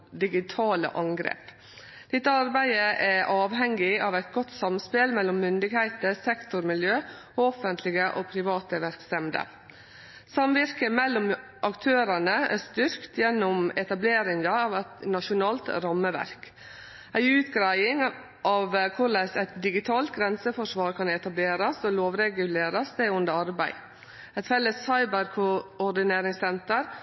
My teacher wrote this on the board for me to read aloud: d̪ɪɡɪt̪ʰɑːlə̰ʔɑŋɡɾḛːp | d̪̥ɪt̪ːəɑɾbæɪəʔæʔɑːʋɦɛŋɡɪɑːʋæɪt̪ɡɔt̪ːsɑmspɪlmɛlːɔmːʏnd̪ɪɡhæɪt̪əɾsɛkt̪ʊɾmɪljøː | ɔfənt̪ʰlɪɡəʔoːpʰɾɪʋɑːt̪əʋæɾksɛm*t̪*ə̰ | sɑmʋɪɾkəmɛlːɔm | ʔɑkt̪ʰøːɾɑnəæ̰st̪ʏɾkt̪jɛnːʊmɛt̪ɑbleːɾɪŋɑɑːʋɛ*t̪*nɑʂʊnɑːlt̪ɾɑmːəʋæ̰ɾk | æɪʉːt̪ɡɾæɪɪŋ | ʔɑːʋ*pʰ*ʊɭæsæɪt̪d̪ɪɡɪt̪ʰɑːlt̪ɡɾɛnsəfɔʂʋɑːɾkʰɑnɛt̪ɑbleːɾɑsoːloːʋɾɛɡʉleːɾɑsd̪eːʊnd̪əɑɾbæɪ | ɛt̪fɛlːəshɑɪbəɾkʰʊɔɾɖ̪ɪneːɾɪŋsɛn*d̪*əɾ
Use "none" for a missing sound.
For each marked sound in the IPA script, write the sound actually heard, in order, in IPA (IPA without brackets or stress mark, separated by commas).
d̪, t̪, kʰ, t̪